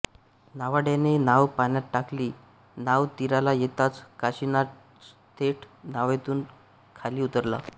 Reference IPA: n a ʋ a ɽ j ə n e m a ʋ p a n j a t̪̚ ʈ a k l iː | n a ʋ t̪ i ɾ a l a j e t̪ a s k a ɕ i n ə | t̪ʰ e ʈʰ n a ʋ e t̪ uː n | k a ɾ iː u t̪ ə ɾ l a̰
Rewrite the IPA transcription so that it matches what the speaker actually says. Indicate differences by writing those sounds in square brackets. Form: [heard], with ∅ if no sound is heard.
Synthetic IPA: n a ʋ a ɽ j [a] n e [n] a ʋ p a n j a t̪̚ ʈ a k l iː | n a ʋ t̪ i ɾ a l a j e t̪ a [t͡s] k a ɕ i n [a] | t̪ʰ e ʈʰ n a ʋ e t̪ uː n | [kʰ] a [l] iː u t̪ ə ɾ l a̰